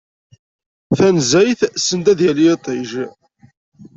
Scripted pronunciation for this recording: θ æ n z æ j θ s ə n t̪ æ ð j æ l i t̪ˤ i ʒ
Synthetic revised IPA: θ æ n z æ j θ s ə n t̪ æ ð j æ l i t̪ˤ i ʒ